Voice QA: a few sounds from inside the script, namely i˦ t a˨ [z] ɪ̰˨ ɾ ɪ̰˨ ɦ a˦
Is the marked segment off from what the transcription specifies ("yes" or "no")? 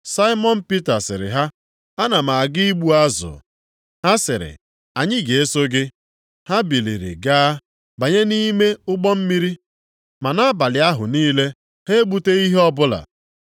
yes